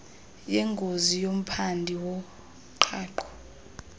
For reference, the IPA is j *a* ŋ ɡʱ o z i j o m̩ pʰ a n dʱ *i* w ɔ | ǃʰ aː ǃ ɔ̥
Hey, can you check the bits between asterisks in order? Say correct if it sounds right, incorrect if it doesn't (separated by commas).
incorrect, correct